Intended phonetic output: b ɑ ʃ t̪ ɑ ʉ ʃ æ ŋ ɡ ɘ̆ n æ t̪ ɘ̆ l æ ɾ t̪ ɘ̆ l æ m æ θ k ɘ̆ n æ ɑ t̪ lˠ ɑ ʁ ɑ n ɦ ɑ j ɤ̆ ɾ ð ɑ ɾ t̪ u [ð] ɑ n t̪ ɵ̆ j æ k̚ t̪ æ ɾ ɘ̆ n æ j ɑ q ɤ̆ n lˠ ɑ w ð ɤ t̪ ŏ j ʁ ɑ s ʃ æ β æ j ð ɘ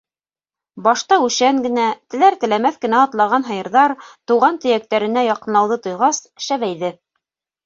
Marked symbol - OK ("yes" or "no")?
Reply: no